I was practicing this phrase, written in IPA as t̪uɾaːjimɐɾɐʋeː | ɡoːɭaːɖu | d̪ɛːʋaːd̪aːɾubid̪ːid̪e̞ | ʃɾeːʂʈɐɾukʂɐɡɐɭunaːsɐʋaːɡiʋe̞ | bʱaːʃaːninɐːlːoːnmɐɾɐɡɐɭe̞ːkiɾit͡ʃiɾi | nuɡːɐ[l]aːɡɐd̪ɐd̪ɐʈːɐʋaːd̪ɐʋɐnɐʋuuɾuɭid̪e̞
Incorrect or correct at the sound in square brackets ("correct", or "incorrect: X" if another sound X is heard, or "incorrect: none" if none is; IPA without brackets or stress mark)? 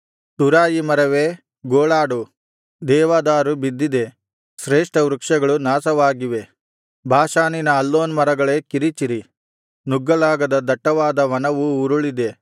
correct